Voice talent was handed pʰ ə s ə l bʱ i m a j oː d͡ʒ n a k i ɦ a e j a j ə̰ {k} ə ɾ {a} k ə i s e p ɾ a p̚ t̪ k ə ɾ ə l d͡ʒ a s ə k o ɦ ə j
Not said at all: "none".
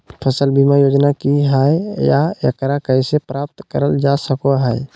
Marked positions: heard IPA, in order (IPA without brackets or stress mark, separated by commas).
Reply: k, a